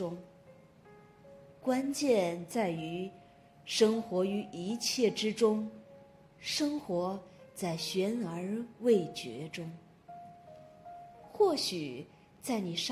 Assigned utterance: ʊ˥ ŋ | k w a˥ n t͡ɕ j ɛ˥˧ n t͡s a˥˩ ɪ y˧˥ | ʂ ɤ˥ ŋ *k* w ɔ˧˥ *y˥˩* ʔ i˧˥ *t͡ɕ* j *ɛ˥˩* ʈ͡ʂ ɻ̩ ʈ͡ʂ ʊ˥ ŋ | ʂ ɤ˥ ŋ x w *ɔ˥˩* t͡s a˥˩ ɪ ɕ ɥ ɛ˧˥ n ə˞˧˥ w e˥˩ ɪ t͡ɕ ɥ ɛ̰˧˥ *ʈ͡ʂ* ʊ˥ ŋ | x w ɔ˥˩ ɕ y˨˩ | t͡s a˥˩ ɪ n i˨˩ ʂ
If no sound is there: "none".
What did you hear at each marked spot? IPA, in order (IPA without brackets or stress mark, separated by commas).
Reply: x, y˧˥, t͡ɕʰ, ɛ˥˩, ɔ˧˥, ʈ͡ʂ